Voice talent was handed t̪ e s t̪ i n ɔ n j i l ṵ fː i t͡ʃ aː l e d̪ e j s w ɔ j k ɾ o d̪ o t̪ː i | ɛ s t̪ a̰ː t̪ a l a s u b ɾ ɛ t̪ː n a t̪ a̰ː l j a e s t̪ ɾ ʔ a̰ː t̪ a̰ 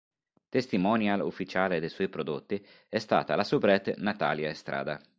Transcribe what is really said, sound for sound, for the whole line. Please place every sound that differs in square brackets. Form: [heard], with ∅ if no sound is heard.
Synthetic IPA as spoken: t̪ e s t̪ i [m] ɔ n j [a] l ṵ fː i t͡ʃ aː l e d̪ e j s w ɔ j [p] ɾ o d̪ o t̪ː i | ɛ s t̪ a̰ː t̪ a l a s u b ɾ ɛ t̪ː n a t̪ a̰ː l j a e s t̪ ɾ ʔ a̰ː [d̪] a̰